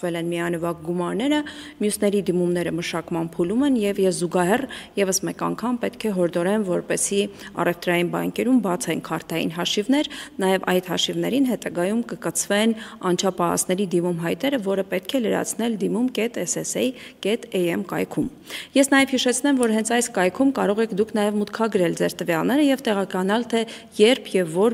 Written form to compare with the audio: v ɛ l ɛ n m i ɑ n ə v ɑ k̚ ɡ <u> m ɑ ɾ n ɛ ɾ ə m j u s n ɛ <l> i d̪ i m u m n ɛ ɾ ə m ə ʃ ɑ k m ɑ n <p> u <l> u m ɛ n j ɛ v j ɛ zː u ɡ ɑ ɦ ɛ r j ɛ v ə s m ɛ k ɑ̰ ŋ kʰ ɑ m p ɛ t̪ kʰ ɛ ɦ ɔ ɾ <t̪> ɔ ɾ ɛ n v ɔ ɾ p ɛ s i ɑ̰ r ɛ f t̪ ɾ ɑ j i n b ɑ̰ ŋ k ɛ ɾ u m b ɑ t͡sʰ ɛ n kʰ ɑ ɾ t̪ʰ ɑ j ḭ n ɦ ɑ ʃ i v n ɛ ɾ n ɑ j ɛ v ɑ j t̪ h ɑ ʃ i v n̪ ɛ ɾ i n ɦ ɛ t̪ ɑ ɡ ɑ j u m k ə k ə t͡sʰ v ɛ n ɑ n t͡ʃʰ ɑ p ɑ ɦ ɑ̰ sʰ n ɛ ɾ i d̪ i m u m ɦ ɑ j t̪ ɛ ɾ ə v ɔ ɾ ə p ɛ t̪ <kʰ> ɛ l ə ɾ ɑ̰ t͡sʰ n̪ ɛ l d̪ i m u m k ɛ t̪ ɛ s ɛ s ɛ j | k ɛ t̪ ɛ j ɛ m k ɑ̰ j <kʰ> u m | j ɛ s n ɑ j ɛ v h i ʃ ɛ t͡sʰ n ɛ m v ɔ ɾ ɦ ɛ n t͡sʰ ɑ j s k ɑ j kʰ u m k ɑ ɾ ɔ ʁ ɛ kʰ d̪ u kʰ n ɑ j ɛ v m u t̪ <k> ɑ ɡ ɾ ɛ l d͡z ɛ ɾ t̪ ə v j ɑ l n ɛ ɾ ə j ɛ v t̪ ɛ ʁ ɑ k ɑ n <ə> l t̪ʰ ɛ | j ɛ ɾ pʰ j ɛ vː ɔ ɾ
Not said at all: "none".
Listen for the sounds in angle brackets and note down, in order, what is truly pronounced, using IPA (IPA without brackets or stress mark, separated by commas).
u, ɾ, pʰ, l, d̪, kʰ, kʰ, kʰ, ɑ